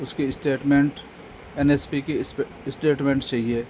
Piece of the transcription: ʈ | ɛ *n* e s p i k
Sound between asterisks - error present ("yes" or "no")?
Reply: no